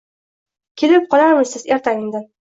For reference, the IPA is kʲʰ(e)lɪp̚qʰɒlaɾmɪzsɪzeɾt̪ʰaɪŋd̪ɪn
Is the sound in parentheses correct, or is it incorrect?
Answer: correct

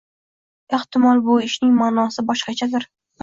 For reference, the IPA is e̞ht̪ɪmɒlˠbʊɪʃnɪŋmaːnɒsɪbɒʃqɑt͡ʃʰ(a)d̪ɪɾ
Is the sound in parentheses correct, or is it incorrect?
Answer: correct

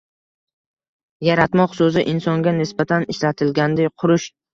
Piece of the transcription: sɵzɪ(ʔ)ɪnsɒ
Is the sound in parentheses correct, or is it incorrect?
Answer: correct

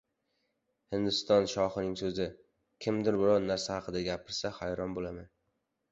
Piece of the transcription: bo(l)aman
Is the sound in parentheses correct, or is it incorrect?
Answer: correct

